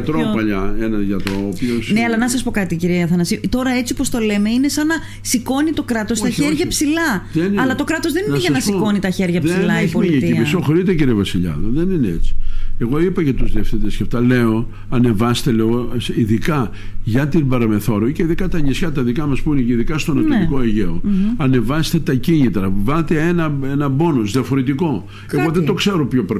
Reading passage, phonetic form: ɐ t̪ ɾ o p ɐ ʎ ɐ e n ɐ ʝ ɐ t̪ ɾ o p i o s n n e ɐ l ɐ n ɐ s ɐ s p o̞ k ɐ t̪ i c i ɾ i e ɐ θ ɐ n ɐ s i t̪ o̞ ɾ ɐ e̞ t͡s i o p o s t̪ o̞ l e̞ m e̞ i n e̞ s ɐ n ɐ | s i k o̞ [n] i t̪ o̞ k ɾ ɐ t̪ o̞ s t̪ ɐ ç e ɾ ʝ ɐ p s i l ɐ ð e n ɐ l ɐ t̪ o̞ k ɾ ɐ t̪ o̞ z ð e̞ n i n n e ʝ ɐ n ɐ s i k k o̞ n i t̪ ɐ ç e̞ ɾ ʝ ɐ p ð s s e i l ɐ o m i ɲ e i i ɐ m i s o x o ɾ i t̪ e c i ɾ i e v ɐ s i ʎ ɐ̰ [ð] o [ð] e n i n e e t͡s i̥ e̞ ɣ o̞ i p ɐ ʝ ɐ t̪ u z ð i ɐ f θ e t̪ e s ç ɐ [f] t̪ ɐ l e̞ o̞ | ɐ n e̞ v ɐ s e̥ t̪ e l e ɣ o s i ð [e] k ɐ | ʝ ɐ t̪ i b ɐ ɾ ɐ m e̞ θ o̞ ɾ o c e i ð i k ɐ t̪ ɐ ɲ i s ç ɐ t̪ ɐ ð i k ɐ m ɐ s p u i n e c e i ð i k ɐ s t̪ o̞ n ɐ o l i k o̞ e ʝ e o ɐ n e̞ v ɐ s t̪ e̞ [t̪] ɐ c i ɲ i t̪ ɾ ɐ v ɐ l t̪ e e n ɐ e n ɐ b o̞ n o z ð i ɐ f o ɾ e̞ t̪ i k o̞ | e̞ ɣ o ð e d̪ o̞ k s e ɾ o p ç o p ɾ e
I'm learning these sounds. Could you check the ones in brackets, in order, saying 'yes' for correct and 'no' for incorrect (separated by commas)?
yes, yes, yes, yes, no, yes